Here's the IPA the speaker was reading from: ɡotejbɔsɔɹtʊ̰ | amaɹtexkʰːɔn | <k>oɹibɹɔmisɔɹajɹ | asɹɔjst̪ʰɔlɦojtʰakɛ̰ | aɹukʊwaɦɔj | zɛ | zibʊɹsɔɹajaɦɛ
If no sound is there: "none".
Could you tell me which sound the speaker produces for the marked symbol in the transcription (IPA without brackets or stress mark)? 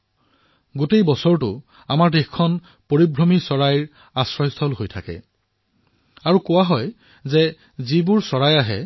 p